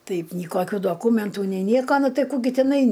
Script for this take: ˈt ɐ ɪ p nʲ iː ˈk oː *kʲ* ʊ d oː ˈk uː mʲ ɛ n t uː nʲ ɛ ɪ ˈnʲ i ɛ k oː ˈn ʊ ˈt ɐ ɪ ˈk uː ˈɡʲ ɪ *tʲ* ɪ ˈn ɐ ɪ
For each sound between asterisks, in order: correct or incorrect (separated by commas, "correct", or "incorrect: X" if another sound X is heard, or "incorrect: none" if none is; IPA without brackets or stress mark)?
correct, correct